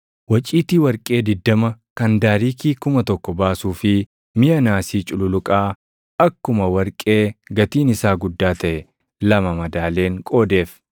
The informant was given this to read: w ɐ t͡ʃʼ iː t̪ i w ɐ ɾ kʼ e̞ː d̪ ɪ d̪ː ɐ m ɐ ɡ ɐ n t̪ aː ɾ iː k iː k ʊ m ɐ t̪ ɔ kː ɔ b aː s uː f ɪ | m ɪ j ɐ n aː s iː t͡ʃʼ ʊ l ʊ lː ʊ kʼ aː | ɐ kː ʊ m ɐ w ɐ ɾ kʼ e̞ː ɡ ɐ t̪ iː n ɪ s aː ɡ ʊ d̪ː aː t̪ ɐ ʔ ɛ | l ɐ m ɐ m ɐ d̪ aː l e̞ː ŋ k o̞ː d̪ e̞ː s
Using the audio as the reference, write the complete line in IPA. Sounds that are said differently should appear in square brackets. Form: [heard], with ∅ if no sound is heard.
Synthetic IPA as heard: w ɐ t͡ʃʼ iː t̪ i w ɐ ɾ kʼ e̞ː d̪ ɪ d̪ː ɐ m ɐ [k] ɐ n [d̪] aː ɾ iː k iː k ʊ m ɐ t̪ ɔ kː ɔ b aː s uː f ɪ | m ɪ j ɐ n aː s iː t͡ʃʼ ʊ l ʊ [l] ʊ kʼ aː | ɐ kː ʊ m ɐ w ɐ ɾ kʼ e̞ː ɡ ɐ t̪ iː n ɪ s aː ɡ ʊ d̪ː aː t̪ ɐ ʔ ɛ | l ɐ m ɐ m ɐ d̪ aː l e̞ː ŋ [kʼ] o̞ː d̪ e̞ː [f]